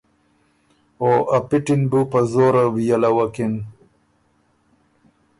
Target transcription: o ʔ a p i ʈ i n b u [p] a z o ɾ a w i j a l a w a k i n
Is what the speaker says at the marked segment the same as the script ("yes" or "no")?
yes